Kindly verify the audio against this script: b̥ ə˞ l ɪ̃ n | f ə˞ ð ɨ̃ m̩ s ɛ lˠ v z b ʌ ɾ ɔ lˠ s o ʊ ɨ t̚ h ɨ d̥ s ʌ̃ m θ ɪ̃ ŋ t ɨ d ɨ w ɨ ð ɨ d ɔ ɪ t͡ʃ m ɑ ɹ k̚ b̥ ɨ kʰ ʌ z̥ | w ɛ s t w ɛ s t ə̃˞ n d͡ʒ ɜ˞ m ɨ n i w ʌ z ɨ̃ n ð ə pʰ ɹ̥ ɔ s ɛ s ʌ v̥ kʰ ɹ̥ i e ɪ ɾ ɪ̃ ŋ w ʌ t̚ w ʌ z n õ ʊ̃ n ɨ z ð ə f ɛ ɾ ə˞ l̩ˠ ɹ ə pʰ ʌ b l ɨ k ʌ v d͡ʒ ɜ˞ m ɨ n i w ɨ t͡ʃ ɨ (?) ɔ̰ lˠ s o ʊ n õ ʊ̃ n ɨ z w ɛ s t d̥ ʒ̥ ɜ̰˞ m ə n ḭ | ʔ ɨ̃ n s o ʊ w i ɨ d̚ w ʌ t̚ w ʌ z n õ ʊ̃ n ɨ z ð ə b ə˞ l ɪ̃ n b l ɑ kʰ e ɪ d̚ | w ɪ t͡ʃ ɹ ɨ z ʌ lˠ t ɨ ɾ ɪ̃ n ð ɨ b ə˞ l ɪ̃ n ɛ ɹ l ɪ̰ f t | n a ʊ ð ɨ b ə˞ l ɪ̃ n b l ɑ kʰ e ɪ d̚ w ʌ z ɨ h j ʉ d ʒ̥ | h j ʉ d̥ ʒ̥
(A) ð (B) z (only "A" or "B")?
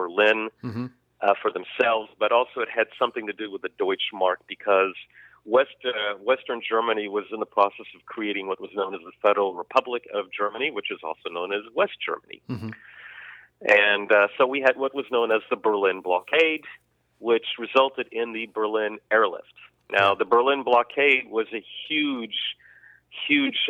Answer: B